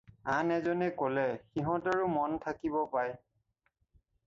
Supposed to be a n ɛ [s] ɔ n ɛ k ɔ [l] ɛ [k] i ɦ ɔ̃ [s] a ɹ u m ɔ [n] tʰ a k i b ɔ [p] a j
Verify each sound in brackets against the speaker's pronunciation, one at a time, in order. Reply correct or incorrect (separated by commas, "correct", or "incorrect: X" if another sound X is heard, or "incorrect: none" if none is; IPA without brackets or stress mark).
incorrect: z, correct, incorrect: x, incorrect: t, correct, correct